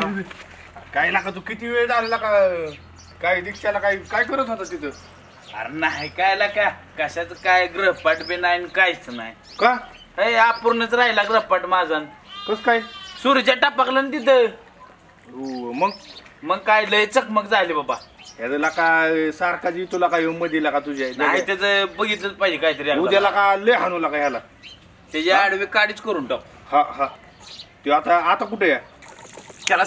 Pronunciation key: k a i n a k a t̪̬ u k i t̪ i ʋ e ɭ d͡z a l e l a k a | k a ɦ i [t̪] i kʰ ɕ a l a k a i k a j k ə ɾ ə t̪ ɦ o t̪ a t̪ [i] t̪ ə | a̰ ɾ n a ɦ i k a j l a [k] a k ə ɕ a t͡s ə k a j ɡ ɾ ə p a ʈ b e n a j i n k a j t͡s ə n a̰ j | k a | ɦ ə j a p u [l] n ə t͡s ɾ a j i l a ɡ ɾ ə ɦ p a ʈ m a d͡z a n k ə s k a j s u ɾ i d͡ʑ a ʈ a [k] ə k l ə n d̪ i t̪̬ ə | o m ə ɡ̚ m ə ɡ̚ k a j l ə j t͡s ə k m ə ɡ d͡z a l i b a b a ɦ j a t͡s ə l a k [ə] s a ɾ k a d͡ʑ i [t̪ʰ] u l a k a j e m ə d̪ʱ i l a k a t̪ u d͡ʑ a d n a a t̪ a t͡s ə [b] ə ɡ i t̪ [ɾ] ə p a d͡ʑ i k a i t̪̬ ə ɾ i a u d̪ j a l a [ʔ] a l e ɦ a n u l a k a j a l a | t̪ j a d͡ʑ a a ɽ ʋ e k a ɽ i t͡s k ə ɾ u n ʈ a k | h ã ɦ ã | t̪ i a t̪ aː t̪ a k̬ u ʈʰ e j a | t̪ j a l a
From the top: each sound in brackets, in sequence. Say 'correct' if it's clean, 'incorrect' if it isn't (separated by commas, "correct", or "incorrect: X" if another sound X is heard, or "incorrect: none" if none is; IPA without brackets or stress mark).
incorrect: d̪, correct, correct, incorrect: ɾ, incorrect: p, incorrect: a, incorrect: t̪, correct, incorrect: l, incorrect: k